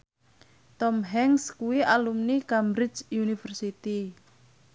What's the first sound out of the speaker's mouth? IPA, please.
t̪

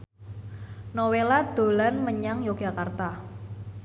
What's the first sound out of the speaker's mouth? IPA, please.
n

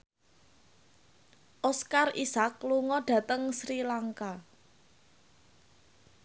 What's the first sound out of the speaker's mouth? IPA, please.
ʔ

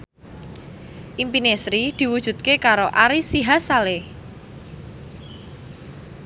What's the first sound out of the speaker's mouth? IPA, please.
ʔ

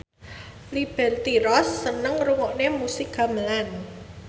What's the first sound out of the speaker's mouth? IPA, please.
l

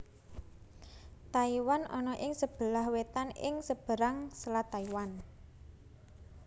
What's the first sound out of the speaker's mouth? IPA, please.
t̪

